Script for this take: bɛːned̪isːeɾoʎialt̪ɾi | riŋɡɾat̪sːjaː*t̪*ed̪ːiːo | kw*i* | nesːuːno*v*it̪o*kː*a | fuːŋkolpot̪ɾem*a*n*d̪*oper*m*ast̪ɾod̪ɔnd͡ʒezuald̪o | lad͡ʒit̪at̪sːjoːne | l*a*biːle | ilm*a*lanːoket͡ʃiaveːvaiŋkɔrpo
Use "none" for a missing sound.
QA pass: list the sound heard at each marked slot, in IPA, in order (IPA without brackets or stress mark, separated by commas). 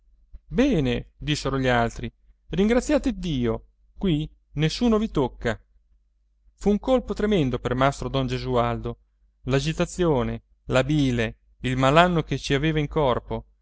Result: t̪, i, v, kː, ɛ, d̪, m, a, a